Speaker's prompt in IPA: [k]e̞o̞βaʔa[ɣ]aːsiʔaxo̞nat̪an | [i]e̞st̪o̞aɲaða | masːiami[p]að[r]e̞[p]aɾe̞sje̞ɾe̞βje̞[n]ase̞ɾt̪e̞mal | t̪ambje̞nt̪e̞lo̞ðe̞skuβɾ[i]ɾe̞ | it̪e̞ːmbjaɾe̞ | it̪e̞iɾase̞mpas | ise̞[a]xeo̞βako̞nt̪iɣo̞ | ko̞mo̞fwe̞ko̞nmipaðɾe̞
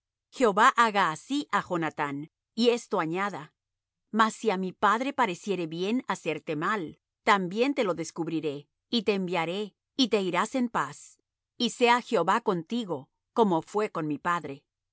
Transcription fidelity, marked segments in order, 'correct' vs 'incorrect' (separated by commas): incorrect, correct, correct, correct, incorrect, correct, correct, correct, correct